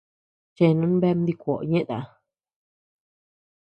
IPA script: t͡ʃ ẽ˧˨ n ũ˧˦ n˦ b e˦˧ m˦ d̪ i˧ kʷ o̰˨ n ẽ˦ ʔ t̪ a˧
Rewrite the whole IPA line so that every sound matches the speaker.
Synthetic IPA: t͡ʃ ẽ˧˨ n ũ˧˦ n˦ b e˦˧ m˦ d̪ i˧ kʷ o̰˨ ɲ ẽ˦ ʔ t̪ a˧